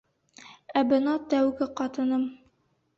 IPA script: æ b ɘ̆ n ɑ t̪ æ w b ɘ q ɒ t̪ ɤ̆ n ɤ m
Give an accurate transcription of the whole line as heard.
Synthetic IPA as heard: æ b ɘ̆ n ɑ t̪ æ w ɡ ɘ q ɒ t̪ ɤ̆ n ɤ m